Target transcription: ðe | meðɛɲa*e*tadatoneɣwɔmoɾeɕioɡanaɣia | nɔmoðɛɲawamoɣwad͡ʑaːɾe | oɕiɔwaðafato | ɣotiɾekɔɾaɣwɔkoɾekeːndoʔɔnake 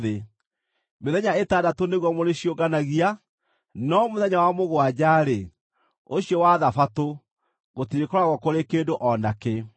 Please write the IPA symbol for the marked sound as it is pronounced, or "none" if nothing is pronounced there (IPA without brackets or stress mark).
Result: e